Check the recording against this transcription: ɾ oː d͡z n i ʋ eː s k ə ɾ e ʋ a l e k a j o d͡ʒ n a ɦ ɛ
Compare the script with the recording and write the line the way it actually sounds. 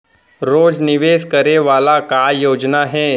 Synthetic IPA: ɾ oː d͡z n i ʋ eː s k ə ɾ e ʋ a l a k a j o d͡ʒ n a ɦ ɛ